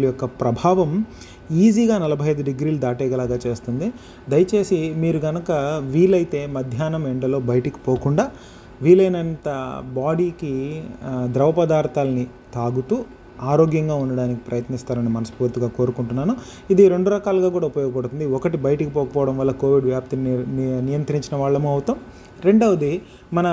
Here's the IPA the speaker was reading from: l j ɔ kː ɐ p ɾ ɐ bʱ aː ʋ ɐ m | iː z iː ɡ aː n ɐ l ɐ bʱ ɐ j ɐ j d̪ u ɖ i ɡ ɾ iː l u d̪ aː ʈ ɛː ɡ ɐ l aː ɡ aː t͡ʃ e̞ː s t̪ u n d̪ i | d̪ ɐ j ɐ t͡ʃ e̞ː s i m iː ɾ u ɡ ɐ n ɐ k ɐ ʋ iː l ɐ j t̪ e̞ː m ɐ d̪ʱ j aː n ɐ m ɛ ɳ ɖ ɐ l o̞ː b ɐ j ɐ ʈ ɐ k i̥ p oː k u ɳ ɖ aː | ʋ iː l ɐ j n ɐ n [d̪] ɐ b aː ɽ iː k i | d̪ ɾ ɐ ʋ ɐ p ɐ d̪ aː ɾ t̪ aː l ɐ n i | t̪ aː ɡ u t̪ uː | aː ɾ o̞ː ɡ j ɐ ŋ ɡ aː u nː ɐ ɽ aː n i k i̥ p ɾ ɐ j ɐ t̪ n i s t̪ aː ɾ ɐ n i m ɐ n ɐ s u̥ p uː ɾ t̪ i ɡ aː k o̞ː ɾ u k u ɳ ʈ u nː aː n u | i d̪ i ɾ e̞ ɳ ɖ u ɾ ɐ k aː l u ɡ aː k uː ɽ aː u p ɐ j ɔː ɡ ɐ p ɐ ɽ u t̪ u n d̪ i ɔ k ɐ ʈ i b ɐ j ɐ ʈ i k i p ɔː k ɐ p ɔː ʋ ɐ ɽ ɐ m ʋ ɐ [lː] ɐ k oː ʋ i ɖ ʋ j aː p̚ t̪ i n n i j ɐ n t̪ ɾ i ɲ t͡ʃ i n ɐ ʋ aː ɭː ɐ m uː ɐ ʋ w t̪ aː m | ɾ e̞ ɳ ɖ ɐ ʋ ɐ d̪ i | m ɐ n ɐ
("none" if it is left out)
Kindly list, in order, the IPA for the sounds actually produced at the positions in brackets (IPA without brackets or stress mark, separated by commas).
t̪, lː